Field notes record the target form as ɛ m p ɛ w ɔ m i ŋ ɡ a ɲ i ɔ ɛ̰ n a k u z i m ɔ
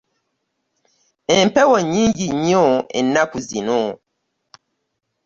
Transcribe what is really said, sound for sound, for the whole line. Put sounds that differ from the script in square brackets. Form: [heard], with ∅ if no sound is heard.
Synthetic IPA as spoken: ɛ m p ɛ w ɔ [ɲ] i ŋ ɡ [i] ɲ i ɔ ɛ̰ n a k u z i [n] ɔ